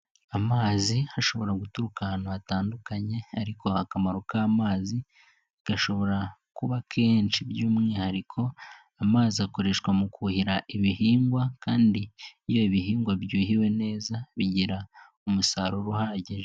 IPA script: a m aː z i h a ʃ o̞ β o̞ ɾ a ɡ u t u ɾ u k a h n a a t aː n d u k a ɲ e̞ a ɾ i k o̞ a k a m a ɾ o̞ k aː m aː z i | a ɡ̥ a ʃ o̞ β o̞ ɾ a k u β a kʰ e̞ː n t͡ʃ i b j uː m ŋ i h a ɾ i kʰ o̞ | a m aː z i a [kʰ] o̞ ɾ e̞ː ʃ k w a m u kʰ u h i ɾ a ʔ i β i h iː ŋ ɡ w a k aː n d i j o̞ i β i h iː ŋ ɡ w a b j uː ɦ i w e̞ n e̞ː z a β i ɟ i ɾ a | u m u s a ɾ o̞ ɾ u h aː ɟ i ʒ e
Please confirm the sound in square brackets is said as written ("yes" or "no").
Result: no